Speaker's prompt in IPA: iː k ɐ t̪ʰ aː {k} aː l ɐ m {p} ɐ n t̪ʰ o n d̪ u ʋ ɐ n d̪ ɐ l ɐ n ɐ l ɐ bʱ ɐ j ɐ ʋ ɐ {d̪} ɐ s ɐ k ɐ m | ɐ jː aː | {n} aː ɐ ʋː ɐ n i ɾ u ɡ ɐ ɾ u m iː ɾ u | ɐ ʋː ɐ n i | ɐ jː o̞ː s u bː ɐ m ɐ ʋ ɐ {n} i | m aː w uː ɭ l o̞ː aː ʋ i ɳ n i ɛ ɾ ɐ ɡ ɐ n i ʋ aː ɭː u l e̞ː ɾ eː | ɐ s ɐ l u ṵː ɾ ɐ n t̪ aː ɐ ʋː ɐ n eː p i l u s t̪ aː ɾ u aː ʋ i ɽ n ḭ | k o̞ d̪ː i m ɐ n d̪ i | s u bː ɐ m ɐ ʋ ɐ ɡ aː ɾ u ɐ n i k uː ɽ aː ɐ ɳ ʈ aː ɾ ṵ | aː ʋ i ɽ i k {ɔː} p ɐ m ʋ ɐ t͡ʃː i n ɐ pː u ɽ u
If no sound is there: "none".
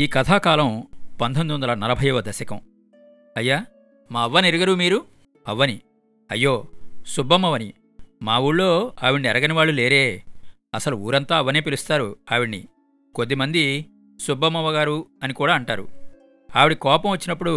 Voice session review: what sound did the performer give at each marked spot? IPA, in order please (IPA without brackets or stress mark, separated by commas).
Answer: k, p, d̪, m, n, ɔː